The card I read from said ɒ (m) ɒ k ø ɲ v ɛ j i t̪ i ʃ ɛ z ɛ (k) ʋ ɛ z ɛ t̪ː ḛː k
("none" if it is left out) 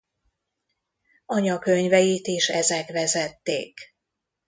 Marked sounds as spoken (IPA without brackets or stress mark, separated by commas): ɲ, k